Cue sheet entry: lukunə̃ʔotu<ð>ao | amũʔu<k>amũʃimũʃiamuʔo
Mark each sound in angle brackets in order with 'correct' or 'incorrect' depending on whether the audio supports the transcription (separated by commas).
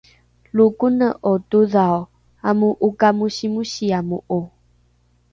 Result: correct, correct